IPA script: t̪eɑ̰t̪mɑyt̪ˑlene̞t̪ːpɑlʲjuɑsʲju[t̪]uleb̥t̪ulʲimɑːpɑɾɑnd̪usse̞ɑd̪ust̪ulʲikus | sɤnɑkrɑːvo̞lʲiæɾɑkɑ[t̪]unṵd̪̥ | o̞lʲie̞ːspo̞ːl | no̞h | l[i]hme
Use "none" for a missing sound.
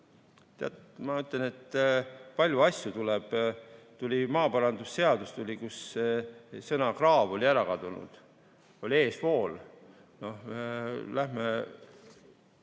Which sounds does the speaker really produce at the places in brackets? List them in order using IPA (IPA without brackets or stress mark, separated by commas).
t̪, d̪, æ